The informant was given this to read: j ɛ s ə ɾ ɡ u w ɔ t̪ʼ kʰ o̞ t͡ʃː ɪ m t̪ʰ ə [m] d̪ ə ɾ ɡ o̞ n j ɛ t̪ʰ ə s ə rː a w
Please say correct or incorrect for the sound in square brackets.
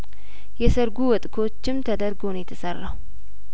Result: incorrect